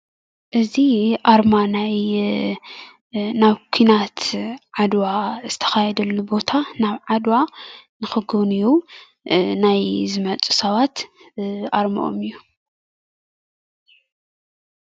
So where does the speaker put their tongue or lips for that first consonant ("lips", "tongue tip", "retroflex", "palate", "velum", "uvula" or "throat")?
throat